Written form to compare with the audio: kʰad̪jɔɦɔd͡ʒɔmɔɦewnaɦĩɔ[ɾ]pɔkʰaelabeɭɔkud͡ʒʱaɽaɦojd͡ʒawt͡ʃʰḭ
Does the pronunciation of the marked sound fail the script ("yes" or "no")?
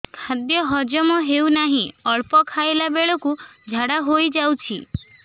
yes